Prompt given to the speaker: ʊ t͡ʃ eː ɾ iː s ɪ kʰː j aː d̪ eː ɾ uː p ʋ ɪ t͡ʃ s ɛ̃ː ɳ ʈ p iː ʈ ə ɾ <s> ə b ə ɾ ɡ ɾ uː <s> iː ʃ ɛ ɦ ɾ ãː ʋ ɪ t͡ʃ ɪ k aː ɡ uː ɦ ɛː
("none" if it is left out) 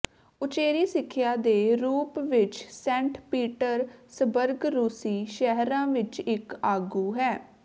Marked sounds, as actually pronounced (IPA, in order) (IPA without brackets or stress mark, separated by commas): s, s